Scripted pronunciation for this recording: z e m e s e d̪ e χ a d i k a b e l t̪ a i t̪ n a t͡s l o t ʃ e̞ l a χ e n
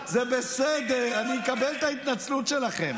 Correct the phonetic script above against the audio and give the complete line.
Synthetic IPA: z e b e s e d̪ e ʁ a n i k a b e l t̪ a i t̪ n a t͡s l u t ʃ e̞ l a χ e m

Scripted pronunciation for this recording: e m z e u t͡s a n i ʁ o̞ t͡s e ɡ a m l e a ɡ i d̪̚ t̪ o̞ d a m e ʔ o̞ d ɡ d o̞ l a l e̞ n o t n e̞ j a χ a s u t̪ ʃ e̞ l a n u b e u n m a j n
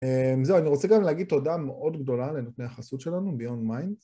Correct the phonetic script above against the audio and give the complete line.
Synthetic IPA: e m z e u a n i ʁ o̞ t͡s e ɡ a m l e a ɡ i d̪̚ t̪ o̞ d a m e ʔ o̞ d ɡ d o̞ l a l e̞ n o t n e̞ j a χ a s u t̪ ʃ e̞ l a n u b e o n m a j n

